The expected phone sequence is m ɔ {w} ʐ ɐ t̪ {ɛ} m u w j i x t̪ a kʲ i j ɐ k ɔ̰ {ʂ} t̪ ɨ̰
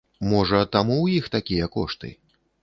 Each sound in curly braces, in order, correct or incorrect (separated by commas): incorrect, incorrect, correct